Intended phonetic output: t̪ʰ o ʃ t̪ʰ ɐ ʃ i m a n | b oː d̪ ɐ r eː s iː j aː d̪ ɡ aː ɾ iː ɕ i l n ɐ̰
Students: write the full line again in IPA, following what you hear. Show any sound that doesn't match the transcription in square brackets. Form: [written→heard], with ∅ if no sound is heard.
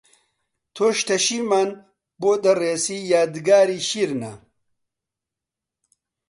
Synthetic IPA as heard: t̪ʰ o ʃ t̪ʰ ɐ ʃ i m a n | b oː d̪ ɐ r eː s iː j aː d̪ ɡ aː ɾ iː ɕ i [l→ɾ] n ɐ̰